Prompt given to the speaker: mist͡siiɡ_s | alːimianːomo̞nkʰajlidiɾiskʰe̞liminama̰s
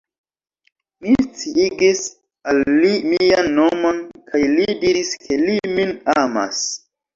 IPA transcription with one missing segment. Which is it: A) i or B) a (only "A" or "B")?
A